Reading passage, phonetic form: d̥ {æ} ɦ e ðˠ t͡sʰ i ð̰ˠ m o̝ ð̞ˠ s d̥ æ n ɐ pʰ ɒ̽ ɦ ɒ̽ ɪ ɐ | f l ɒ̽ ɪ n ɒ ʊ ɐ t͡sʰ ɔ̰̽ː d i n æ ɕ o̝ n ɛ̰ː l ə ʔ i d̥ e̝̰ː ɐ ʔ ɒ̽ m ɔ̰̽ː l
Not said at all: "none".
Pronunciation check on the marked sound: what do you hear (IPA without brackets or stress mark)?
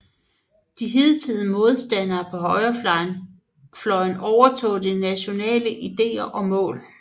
i